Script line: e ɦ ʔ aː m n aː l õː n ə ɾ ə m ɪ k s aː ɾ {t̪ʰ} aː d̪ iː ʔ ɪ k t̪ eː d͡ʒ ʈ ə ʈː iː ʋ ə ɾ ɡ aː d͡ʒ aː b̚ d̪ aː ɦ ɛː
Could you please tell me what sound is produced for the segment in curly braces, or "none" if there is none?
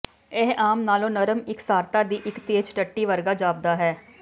t̪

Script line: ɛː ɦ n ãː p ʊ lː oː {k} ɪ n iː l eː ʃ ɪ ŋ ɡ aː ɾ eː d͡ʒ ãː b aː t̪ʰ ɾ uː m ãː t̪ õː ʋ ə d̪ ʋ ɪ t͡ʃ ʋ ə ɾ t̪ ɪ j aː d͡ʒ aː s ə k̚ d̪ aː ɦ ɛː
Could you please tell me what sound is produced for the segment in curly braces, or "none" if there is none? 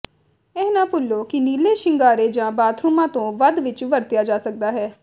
k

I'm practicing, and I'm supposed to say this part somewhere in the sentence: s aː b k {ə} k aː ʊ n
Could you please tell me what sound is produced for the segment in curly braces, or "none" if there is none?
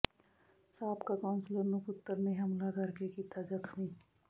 a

